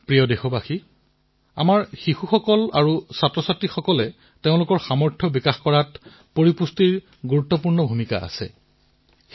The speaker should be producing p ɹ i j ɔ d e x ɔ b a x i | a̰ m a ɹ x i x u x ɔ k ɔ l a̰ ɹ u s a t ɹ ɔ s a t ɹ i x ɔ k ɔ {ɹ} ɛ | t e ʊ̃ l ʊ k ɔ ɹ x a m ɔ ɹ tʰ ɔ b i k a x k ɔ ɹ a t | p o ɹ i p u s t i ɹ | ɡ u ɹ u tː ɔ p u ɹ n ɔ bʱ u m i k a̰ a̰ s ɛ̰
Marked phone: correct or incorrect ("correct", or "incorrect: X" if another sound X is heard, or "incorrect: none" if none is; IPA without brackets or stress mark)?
incorrect: l